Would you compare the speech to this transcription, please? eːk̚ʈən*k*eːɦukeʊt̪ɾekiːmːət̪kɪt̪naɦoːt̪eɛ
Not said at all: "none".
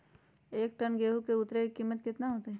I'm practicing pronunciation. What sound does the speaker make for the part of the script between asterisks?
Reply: ɡ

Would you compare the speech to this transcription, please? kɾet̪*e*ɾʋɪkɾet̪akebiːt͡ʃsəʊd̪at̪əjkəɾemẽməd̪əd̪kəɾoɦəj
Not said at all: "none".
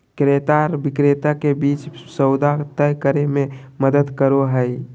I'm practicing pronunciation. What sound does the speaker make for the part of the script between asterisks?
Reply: a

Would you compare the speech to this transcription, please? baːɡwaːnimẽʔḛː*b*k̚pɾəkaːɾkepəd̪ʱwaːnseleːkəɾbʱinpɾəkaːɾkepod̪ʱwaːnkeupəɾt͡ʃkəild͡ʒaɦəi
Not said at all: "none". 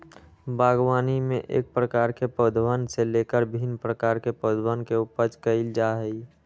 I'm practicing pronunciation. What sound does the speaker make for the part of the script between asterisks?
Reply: none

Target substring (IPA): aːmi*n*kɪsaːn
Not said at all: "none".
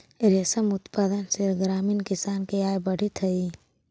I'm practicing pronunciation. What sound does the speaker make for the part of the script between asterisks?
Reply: n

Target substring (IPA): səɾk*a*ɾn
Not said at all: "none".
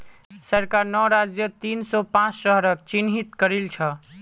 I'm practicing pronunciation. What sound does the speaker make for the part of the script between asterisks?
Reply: a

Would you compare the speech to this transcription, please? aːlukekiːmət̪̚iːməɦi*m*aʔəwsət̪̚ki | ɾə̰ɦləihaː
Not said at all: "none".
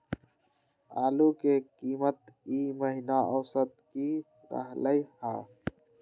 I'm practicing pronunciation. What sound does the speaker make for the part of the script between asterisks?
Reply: n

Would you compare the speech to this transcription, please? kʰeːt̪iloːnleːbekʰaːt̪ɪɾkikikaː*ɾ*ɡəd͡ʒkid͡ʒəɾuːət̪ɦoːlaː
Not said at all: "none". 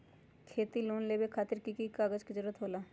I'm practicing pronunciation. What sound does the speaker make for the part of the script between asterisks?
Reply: none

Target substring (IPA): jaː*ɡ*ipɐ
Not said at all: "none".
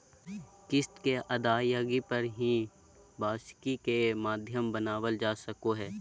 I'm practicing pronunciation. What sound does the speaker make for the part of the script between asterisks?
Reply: ɡ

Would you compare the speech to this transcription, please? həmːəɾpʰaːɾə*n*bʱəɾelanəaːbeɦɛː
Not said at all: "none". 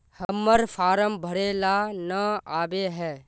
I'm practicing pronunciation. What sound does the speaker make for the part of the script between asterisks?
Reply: m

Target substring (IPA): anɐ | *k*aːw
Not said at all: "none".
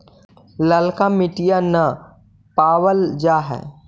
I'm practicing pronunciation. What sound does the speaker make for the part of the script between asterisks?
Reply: p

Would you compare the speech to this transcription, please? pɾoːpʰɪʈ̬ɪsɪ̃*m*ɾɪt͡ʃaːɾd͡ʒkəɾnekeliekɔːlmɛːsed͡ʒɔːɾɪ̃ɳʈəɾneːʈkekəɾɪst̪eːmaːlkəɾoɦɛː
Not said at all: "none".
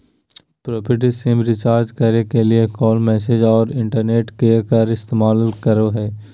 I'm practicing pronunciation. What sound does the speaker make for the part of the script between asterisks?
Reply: m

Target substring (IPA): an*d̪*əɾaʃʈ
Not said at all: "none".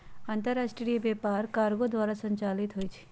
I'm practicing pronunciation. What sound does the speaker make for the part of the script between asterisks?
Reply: t̪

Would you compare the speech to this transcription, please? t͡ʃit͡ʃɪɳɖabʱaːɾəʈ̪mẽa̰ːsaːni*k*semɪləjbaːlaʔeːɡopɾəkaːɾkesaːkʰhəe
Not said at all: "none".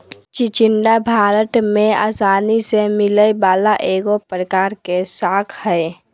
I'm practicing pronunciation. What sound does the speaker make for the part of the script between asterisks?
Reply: none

